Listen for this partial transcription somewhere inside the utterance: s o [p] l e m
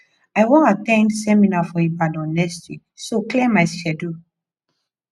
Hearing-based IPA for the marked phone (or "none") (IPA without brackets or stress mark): k